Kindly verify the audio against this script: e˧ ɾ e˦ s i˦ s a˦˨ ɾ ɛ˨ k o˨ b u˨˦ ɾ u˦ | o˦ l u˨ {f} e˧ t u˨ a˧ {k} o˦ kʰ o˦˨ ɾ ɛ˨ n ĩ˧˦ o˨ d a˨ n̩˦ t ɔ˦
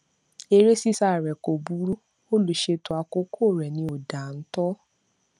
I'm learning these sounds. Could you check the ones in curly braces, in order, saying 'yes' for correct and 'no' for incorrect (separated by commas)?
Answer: no, yes